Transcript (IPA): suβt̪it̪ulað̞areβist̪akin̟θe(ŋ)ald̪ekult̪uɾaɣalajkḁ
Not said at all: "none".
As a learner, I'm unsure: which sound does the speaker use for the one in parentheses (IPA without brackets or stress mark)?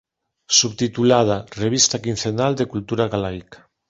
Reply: n